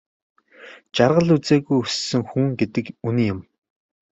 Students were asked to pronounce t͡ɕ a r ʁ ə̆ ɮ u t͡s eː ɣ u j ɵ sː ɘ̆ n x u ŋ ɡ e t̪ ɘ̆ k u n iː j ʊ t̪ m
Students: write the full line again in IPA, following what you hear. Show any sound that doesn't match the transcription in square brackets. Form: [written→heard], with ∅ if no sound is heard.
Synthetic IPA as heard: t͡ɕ a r ʁ ə̆ ɮ u t͡s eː ɣ u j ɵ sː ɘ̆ [n→ŋ] x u ŋ ɡ e t̪ ɘ̆ k u n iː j ʊ [t̪→∅] m